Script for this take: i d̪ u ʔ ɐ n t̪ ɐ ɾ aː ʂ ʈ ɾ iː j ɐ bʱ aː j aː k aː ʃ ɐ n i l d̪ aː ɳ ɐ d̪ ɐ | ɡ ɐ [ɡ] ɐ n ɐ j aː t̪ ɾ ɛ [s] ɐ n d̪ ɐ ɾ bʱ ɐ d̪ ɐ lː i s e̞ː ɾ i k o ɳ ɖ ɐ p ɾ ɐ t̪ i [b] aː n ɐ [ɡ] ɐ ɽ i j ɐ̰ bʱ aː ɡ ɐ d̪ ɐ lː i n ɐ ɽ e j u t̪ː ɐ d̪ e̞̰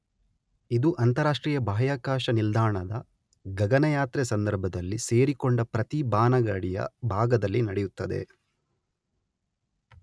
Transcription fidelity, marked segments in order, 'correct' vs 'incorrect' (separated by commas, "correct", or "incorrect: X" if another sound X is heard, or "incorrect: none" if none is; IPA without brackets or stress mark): correct, correct, correct, correct